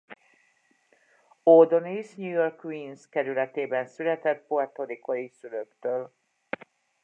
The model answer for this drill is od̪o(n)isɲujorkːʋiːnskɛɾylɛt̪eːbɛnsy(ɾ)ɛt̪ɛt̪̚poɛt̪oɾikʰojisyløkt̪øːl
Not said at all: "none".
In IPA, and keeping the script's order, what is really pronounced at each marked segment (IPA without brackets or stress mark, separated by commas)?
n, l